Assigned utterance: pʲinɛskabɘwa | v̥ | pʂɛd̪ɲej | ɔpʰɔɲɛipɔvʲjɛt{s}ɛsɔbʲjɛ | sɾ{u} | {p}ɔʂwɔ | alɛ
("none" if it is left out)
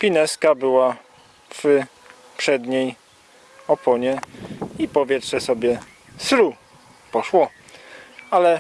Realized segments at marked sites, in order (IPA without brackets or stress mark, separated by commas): ʂ, u, p